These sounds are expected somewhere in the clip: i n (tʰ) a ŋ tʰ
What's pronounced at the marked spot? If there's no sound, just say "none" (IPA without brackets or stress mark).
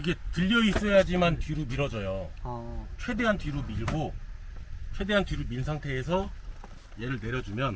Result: sʰ